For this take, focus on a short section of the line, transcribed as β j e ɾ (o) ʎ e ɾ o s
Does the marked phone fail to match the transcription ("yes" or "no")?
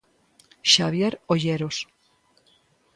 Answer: no